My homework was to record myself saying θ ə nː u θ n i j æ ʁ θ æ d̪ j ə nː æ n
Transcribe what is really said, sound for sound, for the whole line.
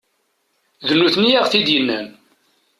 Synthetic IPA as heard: ð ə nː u θ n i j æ ʁ θ i d̪ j ə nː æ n